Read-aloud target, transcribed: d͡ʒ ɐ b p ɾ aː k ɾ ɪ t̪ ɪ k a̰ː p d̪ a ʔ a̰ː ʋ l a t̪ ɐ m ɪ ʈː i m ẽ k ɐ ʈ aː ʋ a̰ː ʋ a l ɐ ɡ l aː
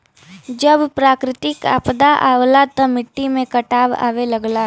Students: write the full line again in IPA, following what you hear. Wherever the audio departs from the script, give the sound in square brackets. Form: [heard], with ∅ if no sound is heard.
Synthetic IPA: d͡ʒ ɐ b p ɾ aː k ɾ ɪ t̪ ɪ k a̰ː p d̪ a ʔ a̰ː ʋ l a t̪ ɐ m ɪ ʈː i m ẽ k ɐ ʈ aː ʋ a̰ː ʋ [e] l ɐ ɡ l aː